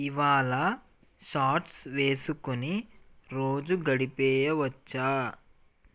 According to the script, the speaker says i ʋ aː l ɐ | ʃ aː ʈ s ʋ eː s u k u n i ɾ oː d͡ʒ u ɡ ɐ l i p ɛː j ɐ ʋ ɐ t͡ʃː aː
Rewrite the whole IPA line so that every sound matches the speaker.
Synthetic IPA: i ʋ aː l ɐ | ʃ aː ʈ s ʋ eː s u k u n i ɾ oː d͡ʒ u ɡ ɐ ɽ i p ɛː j ɐ ʋ ɐ t͡ʃː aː